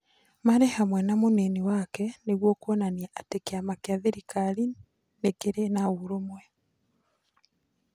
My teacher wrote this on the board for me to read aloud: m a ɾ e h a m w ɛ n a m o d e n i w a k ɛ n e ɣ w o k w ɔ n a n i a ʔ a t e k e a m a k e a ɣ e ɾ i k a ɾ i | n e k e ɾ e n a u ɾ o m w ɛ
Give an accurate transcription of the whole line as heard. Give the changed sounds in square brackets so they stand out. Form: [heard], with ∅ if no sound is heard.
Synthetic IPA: m a ɾ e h a m w ɛ n a m o [n] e n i w a k ɛ n e ɣ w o k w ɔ n a n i a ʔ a t e k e a m a k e a [ð] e ɾ i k a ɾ i | n e k e ɾ e n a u ɾ o m w ɛ